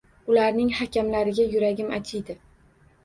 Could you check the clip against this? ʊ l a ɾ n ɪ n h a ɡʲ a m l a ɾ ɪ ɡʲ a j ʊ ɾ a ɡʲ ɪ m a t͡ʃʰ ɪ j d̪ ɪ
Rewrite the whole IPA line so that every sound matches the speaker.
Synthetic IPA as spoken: ʊ l a ɾ n ɪ ŋ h a kʲ a m l a ɾ ɪ ɡʲ a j ʊ ɾ a ɡʲ ɪ m a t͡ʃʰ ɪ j d̪ ɪ